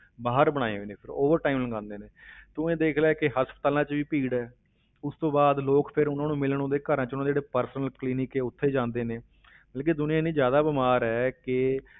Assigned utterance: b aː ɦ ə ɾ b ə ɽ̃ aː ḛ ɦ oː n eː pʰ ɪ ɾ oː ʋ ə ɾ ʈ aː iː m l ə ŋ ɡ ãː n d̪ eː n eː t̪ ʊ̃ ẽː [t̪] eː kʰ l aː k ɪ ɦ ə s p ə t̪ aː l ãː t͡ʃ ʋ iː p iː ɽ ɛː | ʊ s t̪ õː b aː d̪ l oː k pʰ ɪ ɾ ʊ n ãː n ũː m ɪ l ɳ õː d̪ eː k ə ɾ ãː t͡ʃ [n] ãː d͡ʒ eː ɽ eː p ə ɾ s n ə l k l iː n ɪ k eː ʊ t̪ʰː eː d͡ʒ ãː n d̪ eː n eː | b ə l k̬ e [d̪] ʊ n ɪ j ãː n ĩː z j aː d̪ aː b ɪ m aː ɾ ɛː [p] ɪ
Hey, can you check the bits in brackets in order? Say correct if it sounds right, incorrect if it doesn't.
incorrect: d̪, correct, correct, incorrect: k

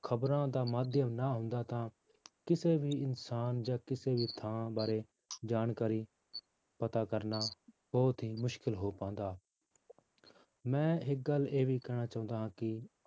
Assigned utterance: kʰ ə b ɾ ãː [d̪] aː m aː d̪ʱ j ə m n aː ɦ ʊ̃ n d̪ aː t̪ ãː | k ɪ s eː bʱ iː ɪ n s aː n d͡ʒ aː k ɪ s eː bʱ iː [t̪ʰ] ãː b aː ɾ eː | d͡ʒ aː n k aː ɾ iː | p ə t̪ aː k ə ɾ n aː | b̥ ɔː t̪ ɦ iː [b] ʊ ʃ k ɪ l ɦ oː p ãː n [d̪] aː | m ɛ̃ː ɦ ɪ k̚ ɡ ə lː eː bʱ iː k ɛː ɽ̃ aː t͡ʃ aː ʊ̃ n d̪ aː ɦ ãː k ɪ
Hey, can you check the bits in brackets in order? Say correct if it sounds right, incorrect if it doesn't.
correct, correct, incorrect: m, correct

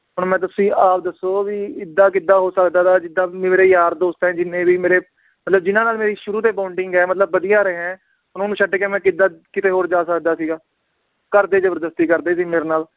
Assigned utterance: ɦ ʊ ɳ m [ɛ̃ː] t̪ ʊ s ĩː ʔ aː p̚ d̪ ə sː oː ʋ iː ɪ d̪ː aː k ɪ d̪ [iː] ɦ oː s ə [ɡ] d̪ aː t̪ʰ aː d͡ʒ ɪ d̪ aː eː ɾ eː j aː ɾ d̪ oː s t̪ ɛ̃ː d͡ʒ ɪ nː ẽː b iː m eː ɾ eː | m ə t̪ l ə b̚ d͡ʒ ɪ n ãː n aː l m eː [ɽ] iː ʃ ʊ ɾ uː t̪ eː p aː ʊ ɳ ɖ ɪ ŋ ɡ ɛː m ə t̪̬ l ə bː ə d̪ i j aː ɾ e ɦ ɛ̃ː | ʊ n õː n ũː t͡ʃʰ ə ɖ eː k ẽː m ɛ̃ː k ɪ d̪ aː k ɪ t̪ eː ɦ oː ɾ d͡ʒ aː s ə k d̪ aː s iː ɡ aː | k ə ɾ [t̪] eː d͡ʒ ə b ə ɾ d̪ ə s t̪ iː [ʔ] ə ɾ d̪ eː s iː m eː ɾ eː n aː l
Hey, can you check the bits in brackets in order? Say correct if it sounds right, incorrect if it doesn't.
correct, incorrect: aː, incorrect: k, incorrect: ɾ, incorrect: d̪, incorrect: k

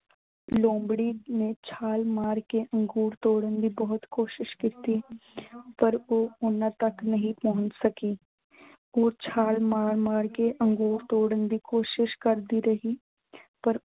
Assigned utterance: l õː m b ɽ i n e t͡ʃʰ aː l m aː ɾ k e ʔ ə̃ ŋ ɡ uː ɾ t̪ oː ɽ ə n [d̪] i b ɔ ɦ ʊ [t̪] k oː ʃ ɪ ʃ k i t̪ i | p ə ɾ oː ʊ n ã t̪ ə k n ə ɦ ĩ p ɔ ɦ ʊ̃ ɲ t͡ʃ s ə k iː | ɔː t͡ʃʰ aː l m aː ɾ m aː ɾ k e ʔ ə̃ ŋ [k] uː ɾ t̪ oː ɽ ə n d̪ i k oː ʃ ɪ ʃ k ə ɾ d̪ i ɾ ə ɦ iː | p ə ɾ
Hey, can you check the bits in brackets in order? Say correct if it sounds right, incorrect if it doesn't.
correct, correct, incorrect: ɡ

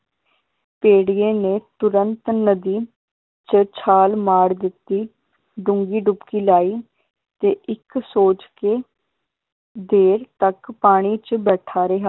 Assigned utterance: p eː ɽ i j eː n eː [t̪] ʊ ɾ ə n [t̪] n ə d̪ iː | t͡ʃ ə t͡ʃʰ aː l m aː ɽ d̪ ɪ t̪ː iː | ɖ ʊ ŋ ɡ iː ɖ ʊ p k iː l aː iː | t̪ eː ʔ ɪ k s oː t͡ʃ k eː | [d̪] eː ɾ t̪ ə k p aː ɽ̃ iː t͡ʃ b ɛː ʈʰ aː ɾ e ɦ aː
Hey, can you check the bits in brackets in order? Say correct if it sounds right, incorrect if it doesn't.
correct, correct, correct

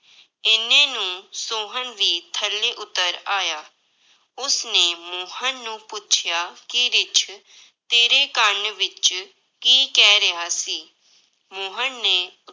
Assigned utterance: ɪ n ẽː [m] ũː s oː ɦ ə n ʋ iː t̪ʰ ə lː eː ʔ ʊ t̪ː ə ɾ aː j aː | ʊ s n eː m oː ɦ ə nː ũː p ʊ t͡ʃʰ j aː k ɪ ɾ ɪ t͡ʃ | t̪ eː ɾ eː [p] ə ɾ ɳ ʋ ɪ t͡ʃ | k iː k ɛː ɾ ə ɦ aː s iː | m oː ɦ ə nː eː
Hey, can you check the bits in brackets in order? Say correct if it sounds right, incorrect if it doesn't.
incorrect: n, incorrect: k

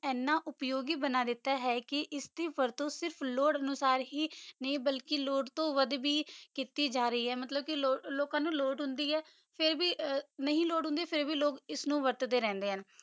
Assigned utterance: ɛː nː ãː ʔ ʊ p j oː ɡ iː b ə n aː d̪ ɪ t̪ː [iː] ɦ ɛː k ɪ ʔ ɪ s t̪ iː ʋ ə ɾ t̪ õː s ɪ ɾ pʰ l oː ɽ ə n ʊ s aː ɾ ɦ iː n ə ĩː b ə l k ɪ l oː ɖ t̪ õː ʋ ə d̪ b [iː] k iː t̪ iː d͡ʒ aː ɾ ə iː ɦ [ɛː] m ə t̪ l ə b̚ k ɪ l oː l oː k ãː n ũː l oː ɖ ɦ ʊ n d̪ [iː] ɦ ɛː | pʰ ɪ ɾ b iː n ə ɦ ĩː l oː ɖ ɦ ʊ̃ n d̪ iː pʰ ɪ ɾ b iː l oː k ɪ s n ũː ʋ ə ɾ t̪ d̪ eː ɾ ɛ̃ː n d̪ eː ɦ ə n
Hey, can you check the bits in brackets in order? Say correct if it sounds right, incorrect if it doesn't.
incorrect: aː, correct, correct, correct

